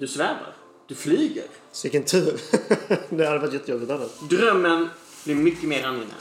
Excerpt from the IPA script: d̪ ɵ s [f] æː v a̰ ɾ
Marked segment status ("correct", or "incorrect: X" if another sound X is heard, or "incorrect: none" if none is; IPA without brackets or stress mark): incorrect: v